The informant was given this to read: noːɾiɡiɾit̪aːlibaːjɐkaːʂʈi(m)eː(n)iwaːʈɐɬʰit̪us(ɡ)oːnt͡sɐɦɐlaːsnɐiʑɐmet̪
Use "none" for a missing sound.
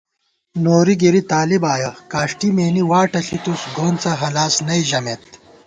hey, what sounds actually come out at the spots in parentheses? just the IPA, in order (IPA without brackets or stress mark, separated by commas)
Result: m, n, ɡ